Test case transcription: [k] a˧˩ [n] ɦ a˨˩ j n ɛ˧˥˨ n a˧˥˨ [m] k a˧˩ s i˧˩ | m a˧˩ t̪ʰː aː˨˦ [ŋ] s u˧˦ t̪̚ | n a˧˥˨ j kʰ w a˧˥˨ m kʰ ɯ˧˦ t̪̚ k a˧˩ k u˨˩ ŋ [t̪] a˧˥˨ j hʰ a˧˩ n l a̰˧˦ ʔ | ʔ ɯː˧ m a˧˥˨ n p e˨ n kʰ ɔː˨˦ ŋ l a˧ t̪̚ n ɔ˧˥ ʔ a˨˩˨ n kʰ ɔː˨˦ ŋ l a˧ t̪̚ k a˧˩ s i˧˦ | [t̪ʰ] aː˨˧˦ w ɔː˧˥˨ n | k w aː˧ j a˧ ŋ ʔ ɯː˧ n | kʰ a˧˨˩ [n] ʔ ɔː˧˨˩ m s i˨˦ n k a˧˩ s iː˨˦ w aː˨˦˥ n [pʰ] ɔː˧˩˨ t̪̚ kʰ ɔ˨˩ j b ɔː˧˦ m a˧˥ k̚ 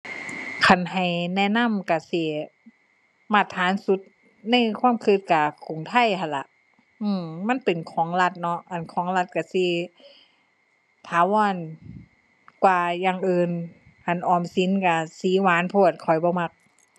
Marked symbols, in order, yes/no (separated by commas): no, yes, yes, no, no, yes, yes, yes